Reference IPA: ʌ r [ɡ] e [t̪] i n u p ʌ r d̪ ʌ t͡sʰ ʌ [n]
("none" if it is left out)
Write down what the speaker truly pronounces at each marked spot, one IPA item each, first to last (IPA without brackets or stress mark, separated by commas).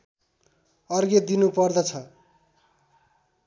ɡ, d̪, none